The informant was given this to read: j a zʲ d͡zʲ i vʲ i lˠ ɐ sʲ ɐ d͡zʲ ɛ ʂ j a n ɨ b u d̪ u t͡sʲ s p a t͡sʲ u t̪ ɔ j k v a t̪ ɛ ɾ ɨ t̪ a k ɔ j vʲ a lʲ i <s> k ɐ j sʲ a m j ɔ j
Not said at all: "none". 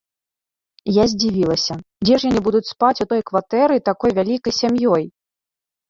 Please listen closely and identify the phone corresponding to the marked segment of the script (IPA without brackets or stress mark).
none